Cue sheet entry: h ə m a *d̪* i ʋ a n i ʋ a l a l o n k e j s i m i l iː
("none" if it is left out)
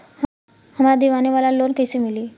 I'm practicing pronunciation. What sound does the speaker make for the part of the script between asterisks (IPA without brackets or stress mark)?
d̪